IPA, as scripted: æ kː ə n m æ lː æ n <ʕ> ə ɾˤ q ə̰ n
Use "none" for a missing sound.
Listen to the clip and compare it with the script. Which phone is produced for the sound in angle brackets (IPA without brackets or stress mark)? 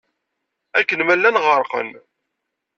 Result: ʁ